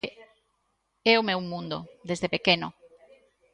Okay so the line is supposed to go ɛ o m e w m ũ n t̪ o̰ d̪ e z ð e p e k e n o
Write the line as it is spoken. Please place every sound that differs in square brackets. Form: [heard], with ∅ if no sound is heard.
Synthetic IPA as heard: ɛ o m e w m ũ n [d̪] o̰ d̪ e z ð e p e k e n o